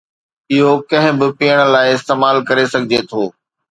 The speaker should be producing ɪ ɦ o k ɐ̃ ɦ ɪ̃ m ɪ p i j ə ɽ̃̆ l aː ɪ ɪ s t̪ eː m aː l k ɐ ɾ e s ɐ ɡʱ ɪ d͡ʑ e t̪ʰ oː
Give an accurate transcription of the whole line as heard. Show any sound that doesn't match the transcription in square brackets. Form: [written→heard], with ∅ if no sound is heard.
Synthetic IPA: ɪ ɦ o k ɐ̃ ɦ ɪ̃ [m→b] ɪ p i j ə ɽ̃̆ l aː ɪ ɪ s t̪ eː m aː l k ɐ ɾ e s ɐ ɡʱ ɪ d͡ʑ e t̪ʰ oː